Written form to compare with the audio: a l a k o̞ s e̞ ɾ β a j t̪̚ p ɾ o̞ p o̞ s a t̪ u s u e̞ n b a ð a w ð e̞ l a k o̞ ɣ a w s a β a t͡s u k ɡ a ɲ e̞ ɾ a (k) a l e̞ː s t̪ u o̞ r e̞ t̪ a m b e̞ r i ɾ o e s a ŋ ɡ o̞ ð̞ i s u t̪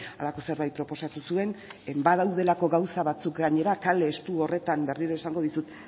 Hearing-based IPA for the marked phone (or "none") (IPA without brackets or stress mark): k